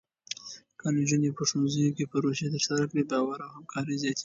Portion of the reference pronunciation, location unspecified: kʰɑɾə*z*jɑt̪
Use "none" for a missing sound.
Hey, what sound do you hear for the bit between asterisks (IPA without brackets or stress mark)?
z